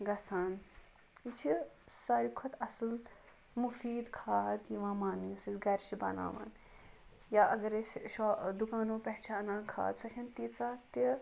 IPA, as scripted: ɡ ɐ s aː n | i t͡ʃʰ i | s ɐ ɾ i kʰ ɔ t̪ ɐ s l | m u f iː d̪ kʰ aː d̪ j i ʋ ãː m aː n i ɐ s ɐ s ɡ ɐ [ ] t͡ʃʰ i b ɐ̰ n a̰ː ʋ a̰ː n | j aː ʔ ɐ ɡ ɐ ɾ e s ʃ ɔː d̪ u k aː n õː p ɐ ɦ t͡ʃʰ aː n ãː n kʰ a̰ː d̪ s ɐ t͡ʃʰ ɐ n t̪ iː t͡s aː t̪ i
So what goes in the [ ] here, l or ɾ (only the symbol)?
ɾ